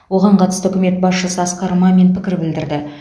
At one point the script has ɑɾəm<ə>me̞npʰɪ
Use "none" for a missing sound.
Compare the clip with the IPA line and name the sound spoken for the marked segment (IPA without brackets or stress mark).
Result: ɑ